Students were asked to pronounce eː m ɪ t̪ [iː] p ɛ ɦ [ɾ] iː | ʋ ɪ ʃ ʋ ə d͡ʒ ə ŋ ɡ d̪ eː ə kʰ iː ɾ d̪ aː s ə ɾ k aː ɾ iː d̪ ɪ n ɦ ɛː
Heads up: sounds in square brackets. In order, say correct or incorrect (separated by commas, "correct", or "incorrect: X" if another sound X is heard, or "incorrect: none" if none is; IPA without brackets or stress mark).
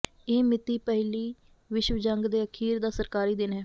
correct, incorrect: l